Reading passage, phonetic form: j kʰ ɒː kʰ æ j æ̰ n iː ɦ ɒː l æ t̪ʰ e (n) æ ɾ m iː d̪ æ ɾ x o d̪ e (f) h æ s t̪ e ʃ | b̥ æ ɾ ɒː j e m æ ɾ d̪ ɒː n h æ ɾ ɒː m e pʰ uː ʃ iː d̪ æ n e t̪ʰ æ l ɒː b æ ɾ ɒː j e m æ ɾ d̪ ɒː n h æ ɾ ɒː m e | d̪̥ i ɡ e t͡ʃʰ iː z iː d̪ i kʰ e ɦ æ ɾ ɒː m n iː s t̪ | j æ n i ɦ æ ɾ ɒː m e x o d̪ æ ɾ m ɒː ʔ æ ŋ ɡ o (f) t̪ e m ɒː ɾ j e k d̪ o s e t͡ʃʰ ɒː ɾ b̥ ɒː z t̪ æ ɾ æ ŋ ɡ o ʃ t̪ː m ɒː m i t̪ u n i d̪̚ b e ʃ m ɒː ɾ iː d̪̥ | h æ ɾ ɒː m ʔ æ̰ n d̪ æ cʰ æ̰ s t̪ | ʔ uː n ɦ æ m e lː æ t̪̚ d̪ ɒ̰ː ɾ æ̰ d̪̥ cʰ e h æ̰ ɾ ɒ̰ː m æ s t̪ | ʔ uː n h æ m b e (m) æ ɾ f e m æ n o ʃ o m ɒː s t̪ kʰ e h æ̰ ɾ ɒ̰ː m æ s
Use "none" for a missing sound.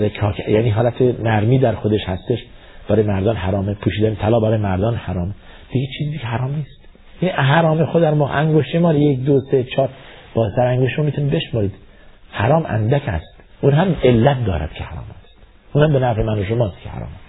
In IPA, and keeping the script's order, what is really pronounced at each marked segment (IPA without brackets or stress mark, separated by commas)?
n, ʃ, ʃ, n